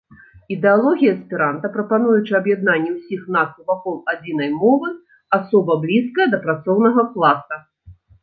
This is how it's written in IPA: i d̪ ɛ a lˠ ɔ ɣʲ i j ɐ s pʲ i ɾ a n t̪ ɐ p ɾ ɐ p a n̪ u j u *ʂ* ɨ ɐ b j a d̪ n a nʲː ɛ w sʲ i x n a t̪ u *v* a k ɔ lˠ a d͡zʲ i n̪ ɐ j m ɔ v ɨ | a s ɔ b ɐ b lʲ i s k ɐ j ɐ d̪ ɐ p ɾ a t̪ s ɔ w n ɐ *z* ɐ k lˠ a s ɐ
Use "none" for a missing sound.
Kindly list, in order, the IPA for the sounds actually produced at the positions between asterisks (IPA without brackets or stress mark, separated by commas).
t͡ʂ, v, ɣ